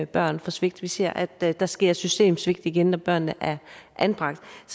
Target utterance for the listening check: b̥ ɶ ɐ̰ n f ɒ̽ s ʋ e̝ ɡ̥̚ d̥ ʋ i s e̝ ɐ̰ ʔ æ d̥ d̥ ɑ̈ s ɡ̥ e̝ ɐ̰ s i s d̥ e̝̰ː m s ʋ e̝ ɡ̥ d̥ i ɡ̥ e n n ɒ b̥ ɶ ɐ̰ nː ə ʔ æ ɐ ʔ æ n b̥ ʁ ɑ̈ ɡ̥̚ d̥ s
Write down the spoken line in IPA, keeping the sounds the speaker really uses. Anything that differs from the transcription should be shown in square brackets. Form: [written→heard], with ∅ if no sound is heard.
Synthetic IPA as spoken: b̥ ɶ ɐ̰ n f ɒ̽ s ʋ e̝ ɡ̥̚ d̥ ʋ i s e̝ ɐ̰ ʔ æ d̥ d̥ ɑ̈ s ɡ̥ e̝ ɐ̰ s [i→y] s d̥ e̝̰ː m s ʋ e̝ ɡ̥ d̥ i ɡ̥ e n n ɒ b̥ ɶ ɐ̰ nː ə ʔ æ ɐ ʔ æ n b̥ ʁ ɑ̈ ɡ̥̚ d̥ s